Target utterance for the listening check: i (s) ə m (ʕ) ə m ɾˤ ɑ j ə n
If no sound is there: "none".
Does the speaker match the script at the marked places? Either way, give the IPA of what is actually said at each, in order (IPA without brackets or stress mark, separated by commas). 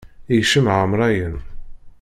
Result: ʃ, ʕ